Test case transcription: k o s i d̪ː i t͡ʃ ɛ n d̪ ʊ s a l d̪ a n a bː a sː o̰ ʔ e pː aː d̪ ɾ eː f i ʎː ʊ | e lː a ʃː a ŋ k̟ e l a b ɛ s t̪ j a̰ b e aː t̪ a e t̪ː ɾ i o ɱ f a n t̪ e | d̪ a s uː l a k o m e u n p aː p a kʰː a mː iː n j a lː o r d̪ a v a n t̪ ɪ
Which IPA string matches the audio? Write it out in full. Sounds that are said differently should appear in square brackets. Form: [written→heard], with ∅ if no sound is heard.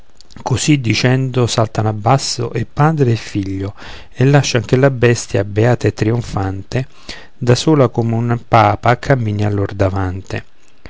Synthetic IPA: k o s i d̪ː i t͡ʃ ɛ n d̪ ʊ s a l [d̪→t̪] a n a bː a sː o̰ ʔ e pː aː d̪ ɾ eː f i ʎː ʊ | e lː a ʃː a ŋ k̟ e l a b ɛ s t̪ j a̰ b e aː t̪ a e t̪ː ɾ i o ɱ f a n t̪ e | d̪ a s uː l a k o m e u n p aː p a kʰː a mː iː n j a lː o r d̪ a v a n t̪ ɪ